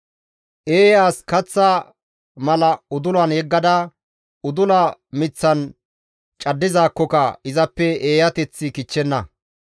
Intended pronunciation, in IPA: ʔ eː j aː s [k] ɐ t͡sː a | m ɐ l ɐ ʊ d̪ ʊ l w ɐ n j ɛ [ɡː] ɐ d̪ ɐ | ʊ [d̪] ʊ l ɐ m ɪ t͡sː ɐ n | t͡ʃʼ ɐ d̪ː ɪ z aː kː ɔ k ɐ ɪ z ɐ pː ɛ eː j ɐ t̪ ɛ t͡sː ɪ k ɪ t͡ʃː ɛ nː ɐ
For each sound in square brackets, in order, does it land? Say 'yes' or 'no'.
yes, yes, yes

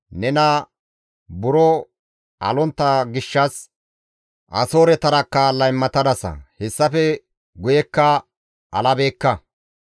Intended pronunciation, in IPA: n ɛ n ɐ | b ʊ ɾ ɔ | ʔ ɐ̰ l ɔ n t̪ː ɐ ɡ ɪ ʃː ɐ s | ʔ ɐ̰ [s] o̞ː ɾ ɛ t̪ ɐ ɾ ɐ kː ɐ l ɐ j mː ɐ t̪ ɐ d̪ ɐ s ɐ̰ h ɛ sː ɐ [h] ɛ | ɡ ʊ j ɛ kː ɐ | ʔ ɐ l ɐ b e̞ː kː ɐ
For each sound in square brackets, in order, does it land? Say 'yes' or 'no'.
yes, no

